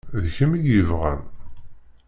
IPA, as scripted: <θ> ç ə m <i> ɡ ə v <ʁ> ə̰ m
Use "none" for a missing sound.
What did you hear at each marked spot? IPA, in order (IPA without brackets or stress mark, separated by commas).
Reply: ð, i, ʁ